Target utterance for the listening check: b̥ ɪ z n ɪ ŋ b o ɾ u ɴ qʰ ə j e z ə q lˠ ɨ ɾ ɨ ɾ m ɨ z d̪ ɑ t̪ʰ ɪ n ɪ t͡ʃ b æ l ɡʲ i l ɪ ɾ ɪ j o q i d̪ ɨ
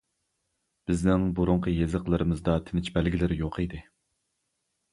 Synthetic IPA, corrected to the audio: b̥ ɪ z n ɪ ŋ b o ɾ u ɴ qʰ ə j e z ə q lˠ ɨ ɾ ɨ m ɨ z d̪ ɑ t̪ʰ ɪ n ɪ t͡ʃ b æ l ɡʲ i l ɪ ɾ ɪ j o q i d̪ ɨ